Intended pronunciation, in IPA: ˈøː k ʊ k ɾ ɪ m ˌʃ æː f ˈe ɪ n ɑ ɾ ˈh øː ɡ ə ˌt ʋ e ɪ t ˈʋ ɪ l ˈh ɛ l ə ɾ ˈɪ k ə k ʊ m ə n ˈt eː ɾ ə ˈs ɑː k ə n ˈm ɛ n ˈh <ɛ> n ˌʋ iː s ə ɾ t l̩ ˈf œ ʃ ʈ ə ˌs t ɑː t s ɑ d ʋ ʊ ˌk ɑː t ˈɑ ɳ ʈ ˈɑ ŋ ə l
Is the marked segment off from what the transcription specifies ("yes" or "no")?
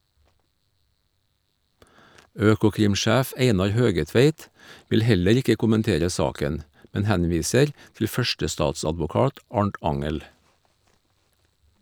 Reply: yes